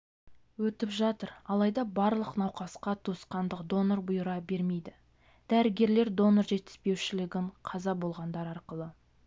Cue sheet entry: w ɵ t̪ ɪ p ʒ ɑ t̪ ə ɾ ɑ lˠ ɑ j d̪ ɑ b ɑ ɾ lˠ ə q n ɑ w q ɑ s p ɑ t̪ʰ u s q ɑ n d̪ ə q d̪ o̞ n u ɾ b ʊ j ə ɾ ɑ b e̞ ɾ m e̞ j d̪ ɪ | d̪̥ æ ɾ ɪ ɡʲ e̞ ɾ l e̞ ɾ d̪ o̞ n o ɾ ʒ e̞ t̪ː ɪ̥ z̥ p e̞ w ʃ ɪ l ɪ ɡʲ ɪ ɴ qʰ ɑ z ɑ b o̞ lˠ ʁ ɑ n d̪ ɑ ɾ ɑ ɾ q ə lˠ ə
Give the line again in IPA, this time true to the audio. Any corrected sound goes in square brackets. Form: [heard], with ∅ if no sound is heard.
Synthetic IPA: w ɵ t̪ ɪ p ʒ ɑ t̪ ə ɾ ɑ lˠ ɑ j d̪ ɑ b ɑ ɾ lˠ ə q n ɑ w q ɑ s [q] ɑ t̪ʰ u s q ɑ n d̪ ə q d̪ o̞ n [o] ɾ b ʊ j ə ɾ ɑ b e̞ ɾ m e̞ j d̪ ɪ | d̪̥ æ ɾ ɪ ɡʲ e̞ ɾ l e̞ ɾ d̪ o̞ n o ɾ ʒ e̞ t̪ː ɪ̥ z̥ p e̞ w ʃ ɪ l ɪ ɡʲ ɪ ɴ qʰ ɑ z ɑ b o̞ lˠ ʁ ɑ n d̪ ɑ ɾ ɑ ɾ q ə lˠ ə